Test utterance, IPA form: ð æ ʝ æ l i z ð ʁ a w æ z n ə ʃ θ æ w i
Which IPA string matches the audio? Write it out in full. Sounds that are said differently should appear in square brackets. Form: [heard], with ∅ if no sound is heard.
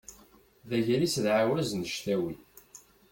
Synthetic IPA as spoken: ð æ ʝ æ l i [s] ð [ʕ] a w æ z n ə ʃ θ æ w i